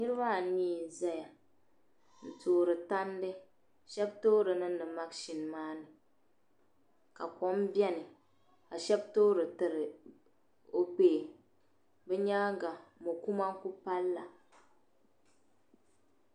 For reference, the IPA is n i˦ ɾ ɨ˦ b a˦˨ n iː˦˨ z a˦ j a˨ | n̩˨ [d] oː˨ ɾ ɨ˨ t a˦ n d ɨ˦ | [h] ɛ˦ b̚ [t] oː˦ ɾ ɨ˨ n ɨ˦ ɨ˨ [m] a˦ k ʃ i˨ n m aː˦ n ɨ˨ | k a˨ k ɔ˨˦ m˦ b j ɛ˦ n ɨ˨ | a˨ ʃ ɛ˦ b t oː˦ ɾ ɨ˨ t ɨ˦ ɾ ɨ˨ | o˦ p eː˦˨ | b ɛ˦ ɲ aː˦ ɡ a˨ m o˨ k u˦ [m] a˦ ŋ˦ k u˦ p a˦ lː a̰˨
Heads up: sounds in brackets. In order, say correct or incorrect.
incorrect: t, incorrect: ʃ, correct, correct, correct

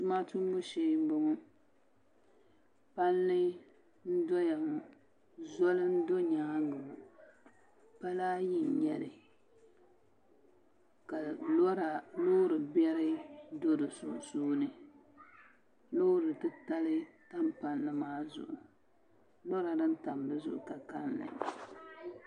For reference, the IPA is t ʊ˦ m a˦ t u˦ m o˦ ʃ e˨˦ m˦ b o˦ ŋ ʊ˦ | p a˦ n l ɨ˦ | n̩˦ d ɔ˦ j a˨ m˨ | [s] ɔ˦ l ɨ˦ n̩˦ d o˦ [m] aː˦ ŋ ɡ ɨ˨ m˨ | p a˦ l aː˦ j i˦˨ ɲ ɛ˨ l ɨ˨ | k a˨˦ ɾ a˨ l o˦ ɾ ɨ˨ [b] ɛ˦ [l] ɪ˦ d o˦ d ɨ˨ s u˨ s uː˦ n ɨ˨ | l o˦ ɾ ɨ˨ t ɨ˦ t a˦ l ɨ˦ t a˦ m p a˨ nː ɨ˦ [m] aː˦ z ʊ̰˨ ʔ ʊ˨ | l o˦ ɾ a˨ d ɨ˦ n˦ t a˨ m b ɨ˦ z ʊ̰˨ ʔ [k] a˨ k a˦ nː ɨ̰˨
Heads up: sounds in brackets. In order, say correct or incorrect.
incorrect: z, incorrect: ɲ, correct, incorrect: ɾ, correct, correct

